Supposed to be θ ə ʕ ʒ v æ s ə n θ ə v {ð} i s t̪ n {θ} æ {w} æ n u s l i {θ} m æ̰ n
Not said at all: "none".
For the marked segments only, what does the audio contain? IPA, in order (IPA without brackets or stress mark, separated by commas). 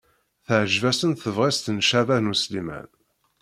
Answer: ʁ, ʃ, v, none